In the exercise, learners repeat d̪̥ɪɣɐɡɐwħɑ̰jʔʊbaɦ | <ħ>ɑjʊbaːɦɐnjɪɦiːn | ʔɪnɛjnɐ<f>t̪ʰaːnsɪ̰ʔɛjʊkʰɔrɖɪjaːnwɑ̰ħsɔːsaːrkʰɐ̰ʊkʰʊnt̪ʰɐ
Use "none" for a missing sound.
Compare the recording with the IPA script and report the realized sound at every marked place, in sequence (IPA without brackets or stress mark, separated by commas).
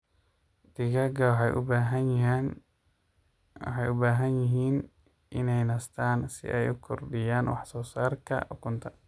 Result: ħ, s